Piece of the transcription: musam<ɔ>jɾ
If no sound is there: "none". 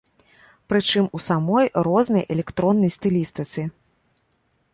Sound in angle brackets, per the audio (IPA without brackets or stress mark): ɔ